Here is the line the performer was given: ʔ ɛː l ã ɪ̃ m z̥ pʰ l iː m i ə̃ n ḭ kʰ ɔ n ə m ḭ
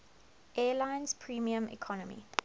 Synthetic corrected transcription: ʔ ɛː l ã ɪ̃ n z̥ pʰ ɹ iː m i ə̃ m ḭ kʰ ɔ n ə m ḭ